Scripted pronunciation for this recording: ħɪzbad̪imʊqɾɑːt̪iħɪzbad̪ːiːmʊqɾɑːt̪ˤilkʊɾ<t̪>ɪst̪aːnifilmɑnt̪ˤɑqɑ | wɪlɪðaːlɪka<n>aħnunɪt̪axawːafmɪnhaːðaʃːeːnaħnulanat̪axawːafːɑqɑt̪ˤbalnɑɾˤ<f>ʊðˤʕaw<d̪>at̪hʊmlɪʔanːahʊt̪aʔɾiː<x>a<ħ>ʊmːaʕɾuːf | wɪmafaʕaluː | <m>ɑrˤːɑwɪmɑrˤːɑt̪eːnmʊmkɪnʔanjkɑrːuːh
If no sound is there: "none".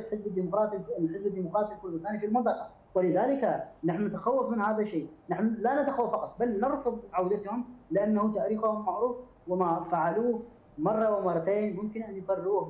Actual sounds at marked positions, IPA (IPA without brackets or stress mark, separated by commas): d̪, n, f, d̪, x, h, m